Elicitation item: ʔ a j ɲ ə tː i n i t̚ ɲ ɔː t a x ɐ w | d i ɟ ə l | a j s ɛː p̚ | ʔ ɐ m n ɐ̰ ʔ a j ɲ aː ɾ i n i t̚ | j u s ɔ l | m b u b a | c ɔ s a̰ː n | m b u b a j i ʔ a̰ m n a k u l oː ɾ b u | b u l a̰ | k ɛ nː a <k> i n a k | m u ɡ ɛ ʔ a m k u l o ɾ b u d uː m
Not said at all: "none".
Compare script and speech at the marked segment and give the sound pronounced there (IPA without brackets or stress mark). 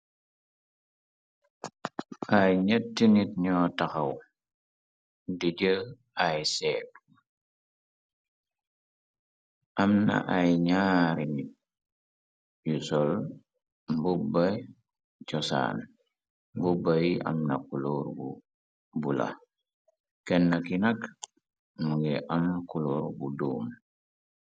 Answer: k